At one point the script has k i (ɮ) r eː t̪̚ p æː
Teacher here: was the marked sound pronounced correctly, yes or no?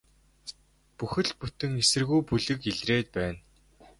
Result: yes